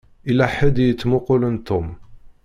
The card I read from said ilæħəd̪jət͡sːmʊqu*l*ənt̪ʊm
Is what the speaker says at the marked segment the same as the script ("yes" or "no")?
yes